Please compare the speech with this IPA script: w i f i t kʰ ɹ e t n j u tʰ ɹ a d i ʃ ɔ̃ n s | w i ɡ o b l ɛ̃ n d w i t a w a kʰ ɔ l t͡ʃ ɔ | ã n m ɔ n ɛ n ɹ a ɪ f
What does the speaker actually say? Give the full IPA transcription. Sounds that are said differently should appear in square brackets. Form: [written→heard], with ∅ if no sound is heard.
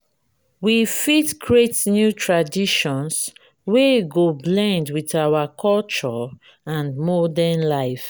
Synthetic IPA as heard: w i f i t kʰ ɹ e t n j u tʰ ɹ a d i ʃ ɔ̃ n s | w [i→e] ɡ o b l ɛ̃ n d w i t a w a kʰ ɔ l t͡ʃ ɔ | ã n m ɔ [n→d] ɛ n [ɹ→l] a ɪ f